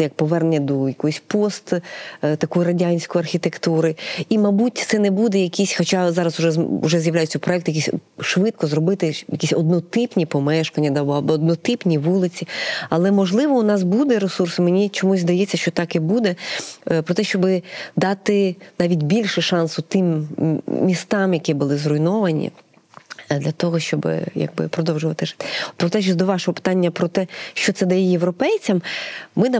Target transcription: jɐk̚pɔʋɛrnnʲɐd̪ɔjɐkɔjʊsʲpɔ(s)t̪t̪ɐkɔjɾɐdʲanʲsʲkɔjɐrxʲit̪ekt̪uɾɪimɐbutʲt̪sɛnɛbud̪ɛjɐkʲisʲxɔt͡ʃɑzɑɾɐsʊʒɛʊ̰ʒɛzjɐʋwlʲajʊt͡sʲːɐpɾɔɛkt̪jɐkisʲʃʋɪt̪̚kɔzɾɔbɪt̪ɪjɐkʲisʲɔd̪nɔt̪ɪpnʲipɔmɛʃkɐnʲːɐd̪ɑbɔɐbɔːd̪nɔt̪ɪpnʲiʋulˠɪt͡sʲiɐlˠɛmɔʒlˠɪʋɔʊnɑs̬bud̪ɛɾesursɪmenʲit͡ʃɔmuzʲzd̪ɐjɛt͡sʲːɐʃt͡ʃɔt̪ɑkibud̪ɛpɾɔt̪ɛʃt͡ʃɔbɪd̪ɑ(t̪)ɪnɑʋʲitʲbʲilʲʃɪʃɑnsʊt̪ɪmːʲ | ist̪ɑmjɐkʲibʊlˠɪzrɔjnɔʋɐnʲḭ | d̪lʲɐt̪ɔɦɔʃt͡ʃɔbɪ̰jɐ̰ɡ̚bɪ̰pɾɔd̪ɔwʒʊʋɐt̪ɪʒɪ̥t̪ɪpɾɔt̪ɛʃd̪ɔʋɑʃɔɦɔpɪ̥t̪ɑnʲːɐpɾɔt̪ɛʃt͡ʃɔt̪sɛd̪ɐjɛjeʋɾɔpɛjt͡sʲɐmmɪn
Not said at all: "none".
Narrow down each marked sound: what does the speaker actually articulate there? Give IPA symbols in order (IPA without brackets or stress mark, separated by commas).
s, t̪